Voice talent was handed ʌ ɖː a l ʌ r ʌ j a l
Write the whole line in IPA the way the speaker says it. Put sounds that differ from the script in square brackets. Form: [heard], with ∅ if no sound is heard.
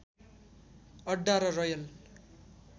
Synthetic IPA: ʌ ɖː a [ɾ] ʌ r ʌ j [ʌ] l